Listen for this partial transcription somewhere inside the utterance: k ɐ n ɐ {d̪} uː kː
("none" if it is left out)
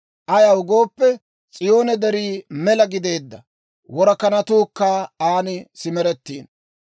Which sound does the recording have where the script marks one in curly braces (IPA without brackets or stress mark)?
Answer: t̪